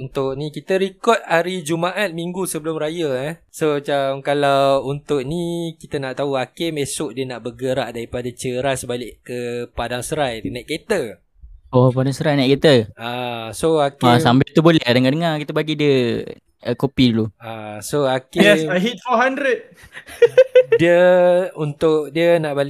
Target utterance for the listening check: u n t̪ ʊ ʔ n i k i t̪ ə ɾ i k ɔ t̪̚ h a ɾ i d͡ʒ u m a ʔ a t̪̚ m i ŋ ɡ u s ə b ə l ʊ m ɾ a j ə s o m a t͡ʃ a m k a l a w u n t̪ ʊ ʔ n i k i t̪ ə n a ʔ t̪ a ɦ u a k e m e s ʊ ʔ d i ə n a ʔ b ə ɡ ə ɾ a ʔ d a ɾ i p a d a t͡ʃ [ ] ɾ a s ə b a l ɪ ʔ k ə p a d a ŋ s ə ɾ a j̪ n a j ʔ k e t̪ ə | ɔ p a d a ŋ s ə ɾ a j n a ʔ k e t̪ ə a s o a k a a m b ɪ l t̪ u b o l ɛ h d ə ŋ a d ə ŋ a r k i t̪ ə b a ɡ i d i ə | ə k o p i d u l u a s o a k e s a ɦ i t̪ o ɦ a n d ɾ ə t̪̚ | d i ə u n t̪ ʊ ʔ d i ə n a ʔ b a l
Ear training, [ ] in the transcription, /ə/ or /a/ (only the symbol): ə